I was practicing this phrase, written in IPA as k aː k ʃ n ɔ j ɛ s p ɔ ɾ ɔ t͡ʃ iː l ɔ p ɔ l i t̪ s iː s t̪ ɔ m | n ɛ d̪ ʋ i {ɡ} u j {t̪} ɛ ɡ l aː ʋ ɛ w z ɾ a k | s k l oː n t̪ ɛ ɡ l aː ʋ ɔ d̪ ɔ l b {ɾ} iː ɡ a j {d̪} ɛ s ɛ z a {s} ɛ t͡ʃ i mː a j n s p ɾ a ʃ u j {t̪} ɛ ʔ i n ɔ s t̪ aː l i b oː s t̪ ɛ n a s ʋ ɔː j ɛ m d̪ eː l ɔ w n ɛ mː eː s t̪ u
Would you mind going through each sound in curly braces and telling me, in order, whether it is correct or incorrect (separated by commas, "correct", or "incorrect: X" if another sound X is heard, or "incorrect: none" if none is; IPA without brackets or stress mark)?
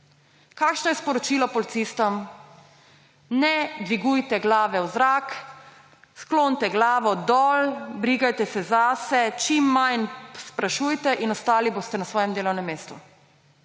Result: correct, correct, correct, incorrect: t̪, correct, correct